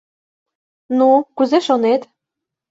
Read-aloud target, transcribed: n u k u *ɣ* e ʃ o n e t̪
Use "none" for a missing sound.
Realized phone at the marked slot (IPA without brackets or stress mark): z